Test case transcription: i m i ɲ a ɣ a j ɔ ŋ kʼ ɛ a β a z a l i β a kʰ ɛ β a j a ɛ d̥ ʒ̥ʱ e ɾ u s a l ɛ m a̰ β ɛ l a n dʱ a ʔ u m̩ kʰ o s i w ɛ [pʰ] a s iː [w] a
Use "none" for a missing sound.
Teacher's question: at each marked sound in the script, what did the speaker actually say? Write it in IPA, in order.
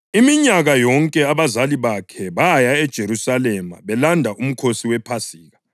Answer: pʰ, ɣ

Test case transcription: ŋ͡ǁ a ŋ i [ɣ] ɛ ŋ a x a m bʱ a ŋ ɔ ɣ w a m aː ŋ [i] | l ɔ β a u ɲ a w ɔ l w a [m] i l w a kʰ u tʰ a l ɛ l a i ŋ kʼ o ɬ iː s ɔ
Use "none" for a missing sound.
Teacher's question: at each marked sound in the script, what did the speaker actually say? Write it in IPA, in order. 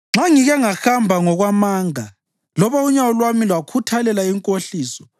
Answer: ɣ, a, m

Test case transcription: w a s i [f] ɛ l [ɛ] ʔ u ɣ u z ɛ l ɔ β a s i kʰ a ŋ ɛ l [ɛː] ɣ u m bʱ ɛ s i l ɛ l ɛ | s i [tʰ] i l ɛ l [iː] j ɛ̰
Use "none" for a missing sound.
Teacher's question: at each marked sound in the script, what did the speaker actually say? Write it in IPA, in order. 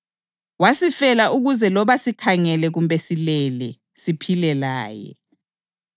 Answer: f, a, ɛ, pʰ, aː

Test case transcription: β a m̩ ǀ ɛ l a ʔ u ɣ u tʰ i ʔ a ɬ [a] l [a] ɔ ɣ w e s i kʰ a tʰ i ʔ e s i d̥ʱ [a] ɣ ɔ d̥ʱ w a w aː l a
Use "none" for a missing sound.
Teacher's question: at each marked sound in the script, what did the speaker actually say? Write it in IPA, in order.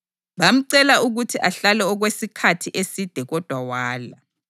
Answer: a, ɛ, ɛ

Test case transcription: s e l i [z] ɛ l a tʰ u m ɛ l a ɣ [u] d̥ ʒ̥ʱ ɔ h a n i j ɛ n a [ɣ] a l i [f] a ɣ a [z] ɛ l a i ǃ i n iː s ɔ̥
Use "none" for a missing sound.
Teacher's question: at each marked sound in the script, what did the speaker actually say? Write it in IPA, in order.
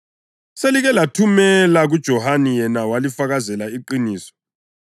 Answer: ɣ, u, w, f, z

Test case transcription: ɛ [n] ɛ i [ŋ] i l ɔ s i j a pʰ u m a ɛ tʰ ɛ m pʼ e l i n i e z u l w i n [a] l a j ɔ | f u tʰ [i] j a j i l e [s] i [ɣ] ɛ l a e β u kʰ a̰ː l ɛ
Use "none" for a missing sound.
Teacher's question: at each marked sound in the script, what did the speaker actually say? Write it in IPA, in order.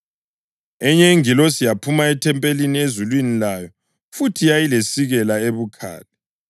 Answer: ɲ, ŋ, i, i, s, ɣ

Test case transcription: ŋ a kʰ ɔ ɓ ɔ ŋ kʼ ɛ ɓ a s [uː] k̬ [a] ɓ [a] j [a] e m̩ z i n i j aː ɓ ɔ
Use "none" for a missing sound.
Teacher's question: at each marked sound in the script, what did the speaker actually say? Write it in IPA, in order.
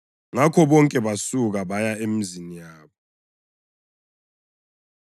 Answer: u, a, a, a

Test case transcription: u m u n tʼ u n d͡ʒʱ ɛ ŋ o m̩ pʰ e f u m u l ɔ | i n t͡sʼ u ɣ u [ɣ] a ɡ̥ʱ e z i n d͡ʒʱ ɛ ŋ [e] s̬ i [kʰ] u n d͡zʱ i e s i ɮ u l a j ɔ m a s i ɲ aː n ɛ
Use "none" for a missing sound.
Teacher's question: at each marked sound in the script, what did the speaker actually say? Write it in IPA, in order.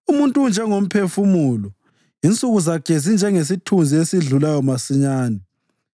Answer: z, e, tʰ

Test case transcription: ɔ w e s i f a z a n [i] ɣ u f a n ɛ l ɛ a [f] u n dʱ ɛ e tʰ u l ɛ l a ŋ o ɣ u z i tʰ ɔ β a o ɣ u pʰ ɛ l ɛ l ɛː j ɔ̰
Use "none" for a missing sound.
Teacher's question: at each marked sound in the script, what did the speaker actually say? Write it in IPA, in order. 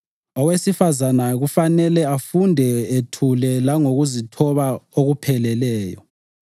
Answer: a, f

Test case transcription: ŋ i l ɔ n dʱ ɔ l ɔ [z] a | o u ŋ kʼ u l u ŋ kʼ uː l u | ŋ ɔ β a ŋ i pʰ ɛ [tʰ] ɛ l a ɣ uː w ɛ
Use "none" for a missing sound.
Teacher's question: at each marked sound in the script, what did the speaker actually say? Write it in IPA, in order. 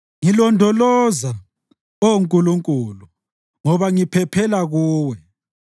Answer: z, pʰ

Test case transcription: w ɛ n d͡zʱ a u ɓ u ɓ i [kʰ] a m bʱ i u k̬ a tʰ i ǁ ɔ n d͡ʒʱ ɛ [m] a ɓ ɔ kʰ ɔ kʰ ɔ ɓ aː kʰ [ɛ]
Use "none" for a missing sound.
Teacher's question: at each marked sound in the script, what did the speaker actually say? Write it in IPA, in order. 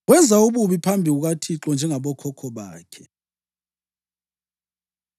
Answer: pʰ, ŋ, ɛ

